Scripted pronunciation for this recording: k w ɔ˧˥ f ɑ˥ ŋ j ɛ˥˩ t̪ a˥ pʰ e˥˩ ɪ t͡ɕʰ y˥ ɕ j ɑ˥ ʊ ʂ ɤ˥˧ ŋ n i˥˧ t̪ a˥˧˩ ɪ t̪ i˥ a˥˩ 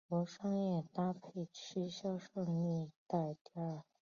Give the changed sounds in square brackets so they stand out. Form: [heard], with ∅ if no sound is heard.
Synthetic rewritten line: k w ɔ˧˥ [ʂ] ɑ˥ ŋ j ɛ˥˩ t̪ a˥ pʰ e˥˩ ɪ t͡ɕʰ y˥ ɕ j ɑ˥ ʊ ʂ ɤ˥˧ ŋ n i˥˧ t̪ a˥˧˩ ɪ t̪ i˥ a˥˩